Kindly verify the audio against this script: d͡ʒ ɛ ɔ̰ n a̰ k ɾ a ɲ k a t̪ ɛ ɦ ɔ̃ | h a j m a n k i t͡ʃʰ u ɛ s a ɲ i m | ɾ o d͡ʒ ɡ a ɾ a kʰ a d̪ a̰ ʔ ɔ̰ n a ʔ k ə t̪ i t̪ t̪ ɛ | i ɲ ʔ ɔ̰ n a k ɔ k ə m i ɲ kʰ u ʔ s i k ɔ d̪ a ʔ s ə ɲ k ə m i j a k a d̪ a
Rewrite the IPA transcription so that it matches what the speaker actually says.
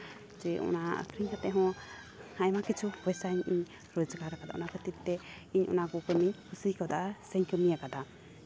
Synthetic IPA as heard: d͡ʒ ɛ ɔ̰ n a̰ k ɾ i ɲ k a t̪ ɛ ɦ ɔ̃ | h a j m a k i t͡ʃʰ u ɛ s a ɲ i ɲ | ɾ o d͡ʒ ɡ a ɾ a k a d̪ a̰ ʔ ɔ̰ n a k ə t̪ i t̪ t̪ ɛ | i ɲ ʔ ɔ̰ n a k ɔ k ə m i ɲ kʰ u s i k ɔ d̪ a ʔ s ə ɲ k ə m i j a k a d̪ a